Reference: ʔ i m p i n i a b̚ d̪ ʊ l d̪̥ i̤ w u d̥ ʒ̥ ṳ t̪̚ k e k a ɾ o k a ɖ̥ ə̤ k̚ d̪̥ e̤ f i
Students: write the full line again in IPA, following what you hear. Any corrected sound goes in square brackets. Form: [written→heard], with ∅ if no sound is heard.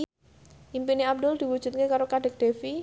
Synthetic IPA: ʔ i m p i n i a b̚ d̪ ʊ l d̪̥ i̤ w u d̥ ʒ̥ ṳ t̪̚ k e k a ɾ o k a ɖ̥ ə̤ k̚ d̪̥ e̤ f i